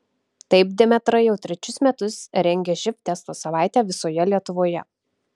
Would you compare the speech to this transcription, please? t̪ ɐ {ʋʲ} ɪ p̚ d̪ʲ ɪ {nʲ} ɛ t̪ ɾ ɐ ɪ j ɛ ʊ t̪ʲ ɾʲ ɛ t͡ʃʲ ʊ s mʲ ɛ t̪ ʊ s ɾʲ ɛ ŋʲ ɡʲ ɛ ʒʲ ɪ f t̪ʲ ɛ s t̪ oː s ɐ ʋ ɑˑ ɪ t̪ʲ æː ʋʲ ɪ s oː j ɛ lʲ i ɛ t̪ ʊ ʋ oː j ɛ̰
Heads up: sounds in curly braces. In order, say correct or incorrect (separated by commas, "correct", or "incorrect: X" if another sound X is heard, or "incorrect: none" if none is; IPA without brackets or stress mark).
incorrect: none, incorrect: mʲ